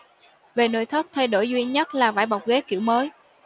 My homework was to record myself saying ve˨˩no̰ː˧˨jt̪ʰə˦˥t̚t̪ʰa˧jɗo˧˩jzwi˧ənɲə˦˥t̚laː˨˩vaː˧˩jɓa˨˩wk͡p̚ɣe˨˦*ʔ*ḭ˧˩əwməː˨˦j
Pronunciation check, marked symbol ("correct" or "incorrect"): incorrect